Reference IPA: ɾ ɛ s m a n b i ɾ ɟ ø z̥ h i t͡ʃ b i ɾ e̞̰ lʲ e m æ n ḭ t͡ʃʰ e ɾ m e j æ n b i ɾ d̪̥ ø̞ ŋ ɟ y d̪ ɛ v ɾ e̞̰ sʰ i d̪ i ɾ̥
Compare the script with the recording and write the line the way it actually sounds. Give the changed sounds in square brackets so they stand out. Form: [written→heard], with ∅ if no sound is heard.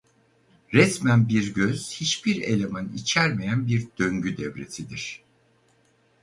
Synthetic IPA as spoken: ɾ ɛ s m [a→æ] n b i ɾ ɟ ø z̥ h i t͡ʃ b i ɾ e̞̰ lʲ e m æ n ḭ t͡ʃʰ [e→æ] ɾ m e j æ n b i ɾ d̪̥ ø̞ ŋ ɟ y d̪ ɛ v ɾ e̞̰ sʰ i d̪ i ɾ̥